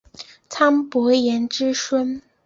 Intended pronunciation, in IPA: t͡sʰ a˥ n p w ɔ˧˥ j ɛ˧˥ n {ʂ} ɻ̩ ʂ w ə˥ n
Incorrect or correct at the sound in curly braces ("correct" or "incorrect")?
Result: incorrect